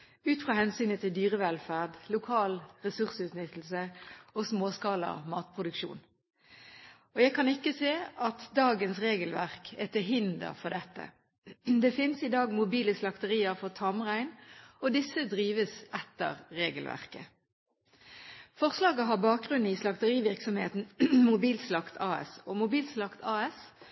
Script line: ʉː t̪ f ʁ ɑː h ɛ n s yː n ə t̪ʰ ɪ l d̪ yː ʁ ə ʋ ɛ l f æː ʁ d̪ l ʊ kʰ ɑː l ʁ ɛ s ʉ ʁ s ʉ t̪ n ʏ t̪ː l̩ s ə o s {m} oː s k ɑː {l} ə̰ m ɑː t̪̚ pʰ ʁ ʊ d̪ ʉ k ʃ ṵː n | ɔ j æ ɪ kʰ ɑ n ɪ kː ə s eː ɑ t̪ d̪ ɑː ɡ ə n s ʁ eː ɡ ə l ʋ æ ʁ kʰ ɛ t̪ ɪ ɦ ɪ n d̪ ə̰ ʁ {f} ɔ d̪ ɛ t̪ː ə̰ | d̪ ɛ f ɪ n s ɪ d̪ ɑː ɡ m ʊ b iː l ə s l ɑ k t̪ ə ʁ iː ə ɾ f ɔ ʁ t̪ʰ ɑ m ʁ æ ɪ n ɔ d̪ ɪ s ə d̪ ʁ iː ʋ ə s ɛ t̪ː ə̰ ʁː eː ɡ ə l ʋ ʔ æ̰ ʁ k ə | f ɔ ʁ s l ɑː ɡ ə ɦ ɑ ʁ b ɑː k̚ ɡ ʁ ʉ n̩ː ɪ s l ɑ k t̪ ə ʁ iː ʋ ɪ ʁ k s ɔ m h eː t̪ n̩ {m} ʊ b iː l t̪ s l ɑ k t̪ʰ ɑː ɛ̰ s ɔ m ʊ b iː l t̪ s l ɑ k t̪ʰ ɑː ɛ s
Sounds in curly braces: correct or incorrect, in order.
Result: correct, correct, correct, correct

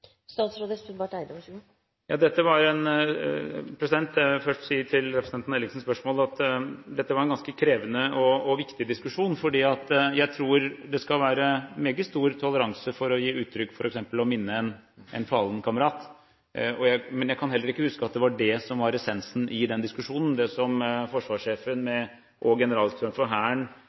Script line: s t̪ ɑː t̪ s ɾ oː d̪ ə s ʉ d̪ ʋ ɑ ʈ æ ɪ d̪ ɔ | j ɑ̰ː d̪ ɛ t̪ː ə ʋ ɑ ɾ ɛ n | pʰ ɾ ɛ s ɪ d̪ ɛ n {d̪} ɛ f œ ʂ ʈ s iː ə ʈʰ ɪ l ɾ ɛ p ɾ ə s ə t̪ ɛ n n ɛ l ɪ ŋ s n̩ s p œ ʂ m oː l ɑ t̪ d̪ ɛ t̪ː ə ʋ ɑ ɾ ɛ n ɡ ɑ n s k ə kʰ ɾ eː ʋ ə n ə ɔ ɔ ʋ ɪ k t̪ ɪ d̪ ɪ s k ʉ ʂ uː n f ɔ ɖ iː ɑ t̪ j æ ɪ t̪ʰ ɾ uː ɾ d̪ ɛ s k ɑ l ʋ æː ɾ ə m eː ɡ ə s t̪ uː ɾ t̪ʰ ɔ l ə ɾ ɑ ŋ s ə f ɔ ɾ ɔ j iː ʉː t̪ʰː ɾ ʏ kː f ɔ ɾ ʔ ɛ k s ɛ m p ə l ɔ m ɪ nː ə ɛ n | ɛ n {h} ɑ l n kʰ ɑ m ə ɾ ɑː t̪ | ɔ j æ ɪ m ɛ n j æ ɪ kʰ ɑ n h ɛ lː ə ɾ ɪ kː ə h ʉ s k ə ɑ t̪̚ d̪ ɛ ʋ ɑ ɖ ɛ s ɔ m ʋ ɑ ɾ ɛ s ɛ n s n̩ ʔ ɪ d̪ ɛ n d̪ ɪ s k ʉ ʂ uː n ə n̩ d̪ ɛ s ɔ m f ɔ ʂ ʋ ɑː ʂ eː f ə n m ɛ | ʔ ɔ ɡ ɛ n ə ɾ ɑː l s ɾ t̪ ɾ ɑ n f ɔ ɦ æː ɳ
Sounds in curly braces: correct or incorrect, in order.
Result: incorrect, incorrect

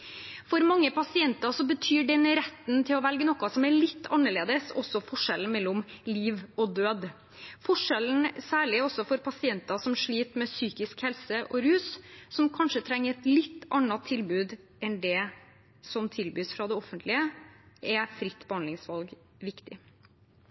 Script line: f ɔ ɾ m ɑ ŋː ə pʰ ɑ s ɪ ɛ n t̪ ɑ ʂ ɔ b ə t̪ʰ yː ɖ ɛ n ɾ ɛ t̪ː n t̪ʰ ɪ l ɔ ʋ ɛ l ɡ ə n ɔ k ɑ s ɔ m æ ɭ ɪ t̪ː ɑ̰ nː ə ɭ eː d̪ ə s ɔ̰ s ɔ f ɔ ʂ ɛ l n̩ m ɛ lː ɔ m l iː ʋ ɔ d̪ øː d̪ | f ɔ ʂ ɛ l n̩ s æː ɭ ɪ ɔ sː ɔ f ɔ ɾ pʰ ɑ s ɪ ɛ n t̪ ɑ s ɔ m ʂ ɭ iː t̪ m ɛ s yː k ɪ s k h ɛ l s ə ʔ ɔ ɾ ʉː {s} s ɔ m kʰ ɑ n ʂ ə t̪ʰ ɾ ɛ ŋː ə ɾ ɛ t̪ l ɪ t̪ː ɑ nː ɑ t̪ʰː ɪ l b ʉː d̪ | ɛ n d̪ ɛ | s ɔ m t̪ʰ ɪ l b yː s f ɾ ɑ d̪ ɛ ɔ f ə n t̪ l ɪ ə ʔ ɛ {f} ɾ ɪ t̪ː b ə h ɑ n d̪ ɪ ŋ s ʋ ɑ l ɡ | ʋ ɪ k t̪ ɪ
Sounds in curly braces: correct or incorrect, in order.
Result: correct, correct

